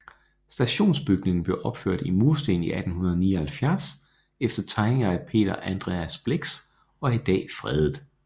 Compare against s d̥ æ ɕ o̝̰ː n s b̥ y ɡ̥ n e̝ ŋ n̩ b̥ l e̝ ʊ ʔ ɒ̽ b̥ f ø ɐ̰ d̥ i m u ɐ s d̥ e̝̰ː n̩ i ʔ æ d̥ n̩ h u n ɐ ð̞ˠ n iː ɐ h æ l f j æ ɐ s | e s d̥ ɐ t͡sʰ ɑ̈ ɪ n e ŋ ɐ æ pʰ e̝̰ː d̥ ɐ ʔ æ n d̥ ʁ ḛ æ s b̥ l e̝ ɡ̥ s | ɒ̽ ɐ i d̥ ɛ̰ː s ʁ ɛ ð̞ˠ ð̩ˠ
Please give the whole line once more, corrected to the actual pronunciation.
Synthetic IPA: s d̥ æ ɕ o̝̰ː n s b̥ y ɡ̥ n e̝ ŋ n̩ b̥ l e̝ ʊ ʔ ɒ̽ b̥ f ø ɐ̰ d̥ i m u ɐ s d̥ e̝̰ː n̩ i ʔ æ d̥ n̩ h u n ɐ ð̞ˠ n iː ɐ h æ l f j æ ɐ s | e f d̥ ɐ t͡sʰ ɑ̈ ɪ n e ŋ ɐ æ pʰ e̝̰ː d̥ ɐ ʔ æ n d̥ ʁ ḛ æ s b̥ l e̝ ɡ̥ s | ɒ̽ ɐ i d̥ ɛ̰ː f ʁ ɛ ð̞ˠ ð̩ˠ

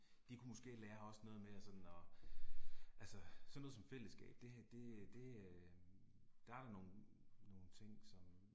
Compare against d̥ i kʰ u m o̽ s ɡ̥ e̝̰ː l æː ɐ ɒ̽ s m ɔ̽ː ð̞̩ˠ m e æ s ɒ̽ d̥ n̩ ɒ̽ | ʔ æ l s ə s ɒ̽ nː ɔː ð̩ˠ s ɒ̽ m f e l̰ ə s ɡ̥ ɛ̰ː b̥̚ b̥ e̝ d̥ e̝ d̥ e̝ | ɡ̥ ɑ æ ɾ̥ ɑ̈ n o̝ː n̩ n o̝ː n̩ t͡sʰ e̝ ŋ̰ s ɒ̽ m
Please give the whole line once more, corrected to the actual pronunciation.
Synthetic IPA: d̥ i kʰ u m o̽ s ɡ̥ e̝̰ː l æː ɐ ɒ̽ s n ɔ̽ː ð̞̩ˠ m e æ s ɒ̽ d̥ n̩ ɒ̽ | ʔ æ l s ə s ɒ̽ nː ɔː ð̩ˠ s ɒ̽ m f e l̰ ə s ɡ̥ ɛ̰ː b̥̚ d̥ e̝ d̥ e̝ d̥ e̝ | d̥ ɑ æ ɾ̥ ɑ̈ n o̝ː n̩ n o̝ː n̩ t͡sʰ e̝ ŋ̰ s ɒ̽ m

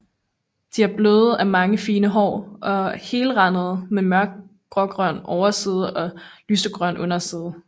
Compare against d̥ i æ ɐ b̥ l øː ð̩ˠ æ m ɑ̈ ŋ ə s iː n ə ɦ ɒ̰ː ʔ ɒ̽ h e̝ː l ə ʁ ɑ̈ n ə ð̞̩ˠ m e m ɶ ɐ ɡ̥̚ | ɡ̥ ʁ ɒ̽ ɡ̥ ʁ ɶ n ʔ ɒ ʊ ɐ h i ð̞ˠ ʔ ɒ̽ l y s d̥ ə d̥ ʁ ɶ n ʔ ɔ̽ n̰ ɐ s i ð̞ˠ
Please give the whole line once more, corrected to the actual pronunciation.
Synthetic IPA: d̥ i æ ɐ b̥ l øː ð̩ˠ æ m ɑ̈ ŋ ə f iː n ə ɦ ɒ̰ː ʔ ɒ̽ h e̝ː l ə ʁ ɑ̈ n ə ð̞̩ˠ m e m ɶ ɐ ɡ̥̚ | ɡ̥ ʁ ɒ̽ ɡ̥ ʁ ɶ n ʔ ɒ ʊ ɐ s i ð̞ˠ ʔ ɒ̽ l y s d̥ ə ɡ̥ ʁ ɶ n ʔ ɔ̽ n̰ ɐ s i ð̞ˠ

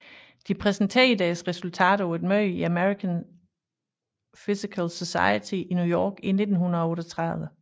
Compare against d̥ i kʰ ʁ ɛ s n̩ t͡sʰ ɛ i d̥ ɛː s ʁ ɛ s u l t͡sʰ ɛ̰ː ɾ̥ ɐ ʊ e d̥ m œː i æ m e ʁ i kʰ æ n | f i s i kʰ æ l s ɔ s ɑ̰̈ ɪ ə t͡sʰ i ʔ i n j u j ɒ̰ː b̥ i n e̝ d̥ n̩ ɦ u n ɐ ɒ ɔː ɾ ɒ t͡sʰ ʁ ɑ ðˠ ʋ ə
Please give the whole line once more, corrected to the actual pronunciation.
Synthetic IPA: d̥ i pʰ ʁ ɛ s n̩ t͡sʰ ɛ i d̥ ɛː s ʁ ɛ s u l t͡sʰ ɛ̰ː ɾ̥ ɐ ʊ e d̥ m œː i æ m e ʁ i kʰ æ n | f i s i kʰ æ l s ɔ s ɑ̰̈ ɪ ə t͡sʰ i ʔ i n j u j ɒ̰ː ɡ̥ i n e̝ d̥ n̩ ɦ u n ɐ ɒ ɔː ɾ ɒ t͡sʰ ʁ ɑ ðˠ ʋ ə

